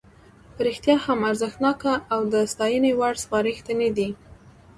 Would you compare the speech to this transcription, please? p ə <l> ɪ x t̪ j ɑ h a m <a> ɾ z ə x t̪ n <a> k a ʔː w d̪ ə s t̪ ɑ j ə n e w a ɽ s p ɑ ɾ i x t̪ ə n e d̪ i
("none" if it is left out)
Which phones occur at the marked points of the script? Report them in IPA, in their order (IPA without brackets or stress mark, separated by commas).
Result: ɾ, a, ɑ